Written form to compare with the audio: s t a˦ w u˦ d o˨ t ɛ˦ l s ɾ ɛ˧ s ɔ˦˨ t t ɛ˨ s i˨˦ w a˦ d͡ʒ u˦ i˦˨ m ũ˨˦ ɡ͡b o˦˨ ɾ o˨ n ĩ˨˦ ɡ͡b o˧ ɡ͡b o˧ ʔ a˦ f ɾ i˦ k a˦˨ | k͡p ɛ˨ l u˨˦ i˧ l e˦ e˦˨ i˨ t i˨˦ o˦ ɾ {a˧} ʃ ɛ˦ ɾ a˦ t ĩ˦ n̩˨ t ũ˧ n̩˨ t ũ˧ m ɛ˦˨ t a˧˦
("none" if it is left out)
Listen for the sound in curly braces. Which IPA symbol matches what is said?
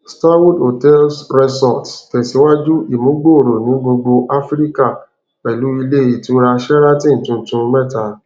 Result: a˧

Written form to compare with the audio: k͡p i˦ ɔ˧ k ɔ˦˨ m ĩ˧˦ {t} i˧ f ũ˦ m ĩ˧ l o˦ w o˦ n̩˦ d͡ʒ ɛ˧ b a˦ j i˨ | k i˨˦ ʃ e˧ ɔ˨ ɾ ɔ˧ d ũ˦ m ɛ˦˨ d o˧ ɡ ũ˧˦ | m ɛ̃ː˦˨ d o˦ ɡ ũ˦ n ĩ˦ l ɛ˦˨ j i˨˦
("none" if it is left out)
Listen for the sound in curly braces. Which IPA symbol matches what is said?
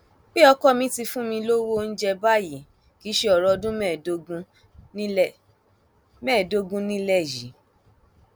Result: t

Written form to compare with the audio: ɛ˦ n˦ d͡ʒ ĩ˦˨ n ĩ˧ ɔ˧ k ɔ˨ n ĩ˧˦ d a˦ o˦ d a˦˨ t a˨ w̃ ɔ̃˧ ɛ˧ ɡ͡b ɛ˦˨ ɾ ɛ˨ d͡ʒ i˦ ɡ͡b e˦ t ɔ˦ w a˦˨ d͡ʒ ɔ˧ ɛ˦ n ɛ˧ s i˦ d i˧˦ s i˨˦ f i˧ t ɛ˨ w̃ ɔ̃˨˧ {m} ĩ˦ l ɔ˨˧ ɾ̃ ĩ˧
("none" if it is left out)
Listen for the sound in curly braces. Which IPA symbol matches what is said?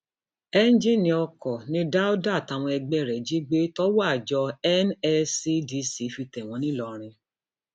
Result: n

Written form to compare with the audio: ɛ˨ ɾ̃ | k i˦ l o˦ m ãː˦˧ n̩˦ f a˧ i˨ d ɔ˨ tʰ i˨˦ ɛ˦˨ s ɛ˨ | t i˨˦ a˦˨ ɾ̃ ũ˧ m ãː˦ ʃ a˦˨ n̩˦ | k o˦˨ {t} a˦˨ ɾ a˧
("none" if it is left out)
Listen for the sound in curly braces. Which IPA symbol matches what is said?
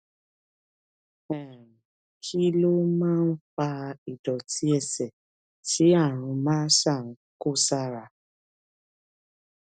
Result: s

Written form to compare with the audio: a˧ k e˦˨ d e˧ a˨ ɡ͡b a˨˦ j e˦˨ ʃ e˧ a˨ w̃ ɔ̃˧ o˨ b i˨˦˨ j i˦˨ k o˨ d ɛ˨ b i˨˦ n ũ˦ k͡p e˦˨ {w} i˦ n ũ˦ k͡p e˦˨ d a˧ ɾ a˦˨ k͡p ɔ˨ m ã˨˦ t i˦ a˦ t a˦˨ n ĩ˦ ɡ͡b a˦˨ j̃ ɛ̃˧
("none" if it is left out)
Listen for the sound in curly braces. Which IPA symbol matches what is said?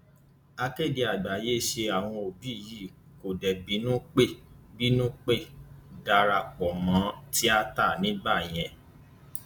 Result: b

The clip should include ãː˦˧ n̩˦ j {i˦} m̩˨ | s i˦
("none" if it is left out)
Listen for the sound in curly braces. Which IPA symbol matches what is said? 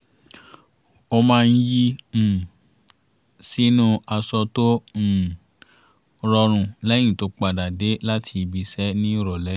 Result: i˦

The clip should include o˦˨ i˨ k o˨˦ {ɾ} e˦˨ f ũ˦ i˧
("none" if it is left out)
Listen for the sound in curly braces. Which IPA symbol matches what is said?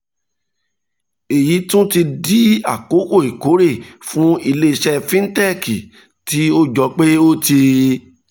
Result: ɾ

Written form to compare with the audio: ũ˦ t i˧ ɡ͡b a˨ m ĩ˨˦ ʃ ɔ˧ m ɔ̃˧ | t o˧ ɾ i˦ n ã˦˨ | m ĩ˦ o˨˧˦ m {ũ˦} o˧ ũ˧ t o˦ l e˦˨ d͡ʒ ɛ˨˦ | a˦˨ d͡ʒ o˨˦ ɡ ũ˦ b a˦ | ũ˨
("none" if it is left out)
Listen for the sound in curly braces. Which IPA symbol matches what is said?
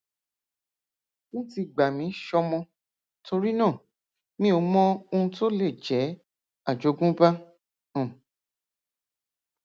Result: ɔ̃˦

